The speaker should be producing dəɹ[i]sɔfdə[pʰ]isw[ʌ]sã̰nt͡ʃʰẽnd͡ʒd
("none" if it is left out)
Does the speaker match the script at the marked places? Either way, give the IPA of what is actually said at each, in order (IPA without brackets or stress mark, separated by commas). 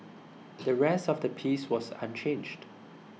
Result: ɛ, pʰ, ɔ